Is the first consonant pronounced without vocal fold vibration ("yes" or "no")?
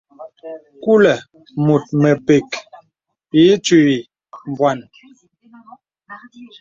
yes